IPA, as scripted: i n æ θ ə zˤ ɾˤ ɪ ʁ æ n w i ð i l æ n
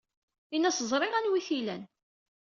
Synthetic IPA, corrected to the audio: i n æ s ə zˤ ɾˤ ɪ ʁ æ n w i θ i l æ n